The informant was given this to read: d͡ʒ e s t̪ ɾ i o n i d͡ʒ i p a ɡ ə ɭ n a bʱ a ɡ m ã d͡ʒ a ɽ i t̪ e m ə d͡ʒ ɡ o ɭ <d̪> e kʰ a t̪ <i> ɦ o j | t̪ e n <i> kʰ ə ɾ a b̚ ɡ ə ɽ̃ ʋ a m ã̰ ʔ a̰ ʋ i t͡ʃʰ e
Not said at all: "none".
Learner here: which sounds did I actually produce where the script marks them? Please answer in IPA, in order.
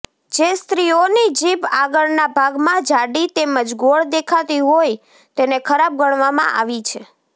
d̪, i, e

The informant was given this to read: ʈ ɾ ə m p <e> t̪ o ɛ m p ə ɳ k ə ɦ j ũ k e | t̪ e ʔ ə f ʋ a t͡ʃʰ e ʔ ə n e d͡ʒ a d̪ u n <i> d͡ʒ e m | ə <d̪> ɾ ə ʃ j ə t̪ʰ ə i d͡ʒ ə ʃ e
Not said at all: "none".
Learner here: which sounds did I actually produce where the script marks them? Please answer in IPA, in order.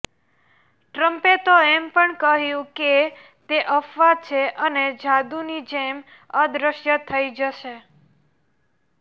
e, i, d̪

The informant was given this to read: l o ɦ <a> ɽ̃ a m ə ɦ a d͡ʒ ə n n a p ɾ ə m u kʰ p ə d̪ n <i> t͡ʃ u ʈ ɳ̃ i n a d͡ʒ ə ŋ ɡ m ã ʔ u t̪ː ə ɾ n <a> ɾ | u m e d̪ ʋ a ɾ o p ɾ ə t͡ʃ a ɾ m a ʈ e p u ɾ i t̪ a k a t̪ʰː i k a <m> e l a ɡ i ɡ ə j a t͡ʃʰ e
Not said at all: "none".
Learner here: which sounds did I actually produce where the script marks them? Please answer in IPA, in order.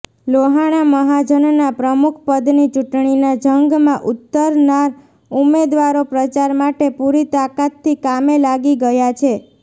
a, i, a, m

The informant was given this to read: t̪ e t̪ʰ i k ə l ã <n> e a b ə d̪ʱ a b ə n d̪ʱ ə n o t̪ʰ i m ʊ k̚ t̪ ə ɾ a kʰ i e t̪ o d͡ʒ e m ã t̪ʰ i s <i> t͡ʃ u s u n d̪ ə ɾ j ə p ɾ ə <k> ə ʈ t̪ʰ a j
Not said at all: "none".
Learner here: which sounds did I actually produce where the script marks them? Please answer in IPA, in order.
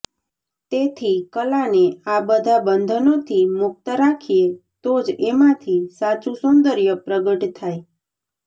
n, a, ɡ

